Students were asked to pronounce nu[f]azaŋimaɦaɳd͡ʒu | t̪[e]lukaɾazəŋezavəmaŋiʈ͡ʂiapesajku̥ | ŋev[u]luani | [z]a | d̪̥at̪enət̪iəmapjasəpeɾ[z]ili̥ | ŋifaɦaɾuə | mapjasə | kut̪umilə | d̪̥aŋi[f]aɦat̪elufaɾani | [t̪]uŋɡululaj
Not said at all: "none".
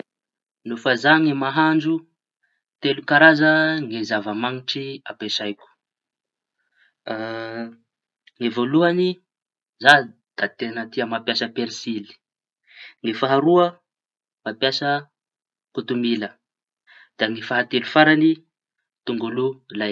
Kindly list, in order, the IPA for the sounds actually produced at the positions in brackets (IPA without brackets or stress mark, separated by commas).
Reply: f, e, o, z, s, f, t̪